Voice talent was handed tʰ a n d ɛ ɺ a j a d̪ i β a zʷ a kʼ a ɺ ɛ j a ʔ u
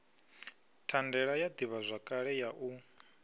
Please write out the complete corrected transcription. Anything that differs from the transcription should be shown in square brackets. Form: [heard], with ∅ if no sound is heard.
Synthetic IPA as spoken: tʰ a n d ɛ ɺ a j a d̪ i β a zʷ a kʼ a ɺ ɛ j a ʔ u